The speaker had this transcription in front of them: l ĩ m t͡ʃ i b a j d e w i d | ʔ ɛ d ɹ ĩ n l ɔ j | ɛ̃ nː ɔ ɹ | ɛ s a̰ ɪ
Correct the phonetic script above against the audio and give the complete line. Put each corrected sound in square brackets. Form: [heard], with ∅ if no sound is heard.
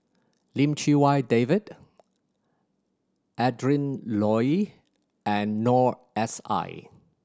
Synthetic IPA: l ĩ m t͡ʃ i [w] a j d e [v] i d | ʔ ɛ d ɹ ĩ n l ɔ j | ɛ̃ nː ɔ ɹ | ɛ s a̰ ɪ